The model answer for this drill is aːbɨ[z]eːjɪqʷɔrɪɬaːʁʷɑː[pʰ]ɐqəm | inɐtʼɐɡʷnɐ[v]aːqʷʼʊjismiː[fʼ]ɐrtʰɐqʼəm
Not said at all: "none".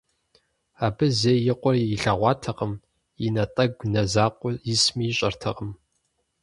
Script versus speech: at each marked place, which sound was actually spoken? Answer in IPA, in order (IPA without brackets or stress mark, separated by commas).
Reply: z, tʰ, z, ɕʼ